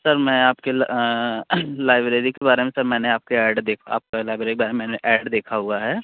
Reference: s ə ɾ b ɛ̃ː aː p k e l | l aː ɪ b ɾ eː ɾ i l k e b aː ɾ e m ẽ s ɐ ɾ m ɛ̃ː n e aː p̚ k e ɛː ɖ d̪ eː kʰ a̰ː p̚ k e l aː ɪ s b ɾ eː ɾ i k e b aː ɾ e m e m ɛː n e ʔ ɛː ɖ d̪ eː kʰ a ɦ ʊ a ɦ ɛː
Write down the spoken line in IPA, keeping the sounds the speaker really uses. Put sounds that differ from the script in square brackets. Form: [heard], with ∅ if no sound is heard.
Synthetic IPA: s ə ɾ [m] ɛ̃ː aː p k e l | l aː ɪ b ɾ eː ɾ i [∅] k e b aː ɾ e m ẽ s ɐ ɾ m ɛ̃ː n e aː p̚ k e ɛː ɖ d̪ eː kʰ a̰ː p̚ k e l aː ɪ [∅] b ɾ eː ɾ i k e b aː ɾ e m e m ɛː n e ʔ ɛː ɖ d̪ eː kʰ a ɦ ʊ a ɦ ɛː

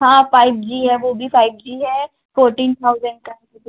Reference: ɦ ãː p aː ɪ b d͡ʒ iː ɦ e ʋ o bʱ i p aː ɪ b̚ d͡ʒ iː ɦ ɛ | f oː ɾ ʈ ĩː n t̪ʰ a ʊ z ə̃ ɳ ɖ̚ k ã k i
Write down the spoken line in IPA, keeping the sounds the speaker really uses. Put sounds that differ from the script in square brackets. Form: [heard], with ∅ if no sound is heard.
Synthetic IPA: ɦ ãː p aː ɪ b d͡ʒ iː ɦ [ɛ] ʋ o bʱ i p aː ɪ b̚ d͡ʒ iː ɦ ɛ | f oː ɾ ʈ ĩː n t̪ʰ a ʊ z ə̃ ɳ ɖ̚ k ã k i

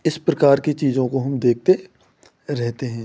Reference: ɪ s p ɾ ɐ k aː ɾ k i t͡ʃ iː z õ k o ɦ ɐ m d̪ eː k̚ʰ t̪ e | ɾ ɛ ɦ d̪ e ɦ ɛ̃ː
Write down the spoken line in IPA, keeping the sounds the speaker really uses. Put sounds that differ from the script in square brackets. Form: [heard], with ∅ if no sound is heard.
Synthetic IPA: ɪ s p ɾ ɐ k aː ɾ k i t͡ʃ iː z õ k o ɦ ɐ m d̪ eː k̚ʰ t̪ e | ɾ ɛ ɦ [t̪] e ɦ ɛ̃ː

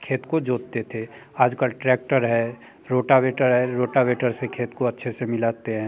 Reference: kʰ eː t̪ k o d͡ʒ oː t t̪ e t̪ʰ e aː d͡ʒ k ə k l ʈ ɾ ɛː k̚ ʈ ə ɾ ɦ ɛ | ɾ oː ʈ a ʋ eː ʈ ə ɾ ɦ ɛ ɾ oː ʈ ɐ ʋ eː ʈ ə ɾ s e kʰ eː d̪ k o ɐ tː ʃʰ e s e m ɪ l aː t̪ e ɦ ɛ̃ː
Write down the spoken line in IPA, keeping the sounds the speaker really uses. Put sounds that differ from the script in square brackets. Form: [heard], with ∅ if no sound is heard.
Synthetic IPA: kʰ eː t̪ k o d͡ʒ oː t t̪ e t̪ʰ e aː d͡ʒ k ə [∅] l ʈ ɾ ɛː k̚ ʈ ə ɾ ɦ ɛ | ɾ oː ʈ a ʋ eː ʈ ə ɾ ɦ ɛ ɾ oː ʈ [a] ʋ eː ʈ ə ɾ s e kʰ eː [t̪] k o ɐ tː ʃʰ e s e m ɪ l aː t̪ e ɦ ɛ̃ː

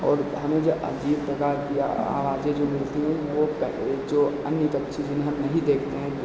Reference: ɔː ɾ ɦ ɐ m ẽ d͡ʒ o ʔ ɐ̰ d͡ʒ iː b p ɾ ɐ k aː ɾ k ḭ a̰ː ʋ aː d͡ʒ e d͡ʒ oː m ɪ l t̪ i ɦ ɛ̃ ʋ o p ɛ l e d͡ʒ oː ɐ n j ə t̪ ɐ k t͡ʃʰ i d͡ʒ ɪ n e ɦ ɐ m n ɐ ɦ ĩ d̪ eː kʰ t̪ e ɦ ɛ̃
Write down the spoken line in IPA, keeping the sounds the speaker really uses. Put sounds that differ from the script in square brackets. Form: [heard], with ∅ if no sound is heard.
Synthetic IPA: ɔː ɾ ɦ ɐ m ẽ d͡ʒ o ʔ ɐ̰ d͡ʒ iː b p ɾ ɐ k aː ɾ k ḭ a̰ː ʋ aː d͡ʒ e d͡ʒ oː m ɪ l t̪ i ɦ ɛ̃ ʋ o p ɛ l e d͡ʒ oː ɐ n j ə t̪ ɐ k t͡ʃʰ i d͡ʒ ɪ n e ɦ ɐ m n ɐ ɦ ĩ d̪ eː kʰ t̪ e ɦ ɛ̃

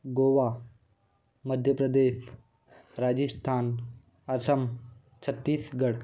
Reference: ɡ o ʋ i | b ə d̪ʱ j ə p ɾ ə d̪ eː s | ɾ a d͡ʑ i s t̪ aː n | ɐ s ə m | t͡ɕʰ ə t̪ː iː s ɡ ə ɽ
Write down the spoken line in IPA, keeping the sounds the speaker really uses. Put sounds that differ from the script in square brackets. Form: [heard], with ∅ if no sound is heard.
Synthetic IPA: ɡ o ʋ [a] | [m] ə d̪ʱ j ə p ɾ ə d̪ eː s | ɾ a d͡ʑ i s [t̪ʰ] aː n | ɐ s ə m | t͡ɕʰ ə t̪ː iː s ɡ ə ɽ

